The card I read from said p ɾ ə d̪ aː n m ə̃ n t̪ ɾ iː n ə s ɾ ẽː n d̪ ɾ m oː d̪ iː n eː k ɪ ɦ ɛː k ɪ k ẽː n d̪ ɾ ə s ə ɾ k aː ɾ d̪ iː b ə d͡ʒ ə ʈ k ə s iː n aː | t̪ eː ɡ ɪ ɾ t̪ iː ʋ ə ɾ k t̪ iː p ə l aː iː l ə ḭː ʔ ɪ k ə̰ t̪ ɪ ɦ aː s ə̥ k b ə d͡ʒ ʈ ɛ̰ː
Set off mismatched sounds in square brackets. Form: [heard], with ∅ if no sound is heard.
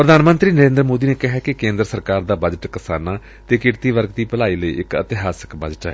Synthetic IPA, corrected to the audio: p ɾ ə d̪ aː n m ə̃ n t̪ ɾ iː n ə [∅] ɾ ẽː n d̪ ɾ m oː d̪ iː n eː k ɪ ɦ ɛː k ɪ k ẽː n d̪ ɾ ə s ə ɾ k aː ɾ d̪ [aː] b ə d͡ʒ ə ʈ k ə s [aː] n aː | t̪ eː [k] ɪ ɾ t̪ iː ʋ ə ɾ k t̪ iː p ə l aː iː l ə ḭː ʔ ɪ k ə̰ t̪ ɪ ɦ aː s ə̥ k b ə d͡ʒ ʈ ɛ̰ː